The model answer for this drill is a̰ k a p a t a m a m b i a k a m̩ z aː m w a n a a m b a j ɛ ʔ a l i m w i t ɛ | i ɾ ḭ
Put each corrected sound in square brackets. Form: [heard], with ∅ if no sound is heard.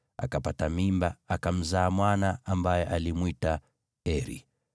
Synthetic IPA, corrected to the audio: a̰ k a p a t a m [i] m b [a] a k a m̩ z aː m w a n a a m b a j ɛ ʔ a l i m w i t [a] | [ɛ] ɾ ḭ